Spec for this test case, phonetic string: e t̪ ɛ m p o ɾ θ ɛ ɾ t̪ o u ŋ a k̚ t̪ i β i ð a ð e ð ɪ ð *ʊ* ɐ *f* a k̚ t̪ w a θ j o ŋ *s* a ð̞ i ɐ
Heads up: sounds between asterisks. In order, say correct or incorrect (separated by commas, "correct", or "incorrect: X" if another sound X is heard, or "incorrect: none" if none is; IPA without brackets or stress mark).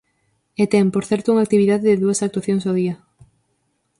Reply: incorrect: u, incorrect: s, correct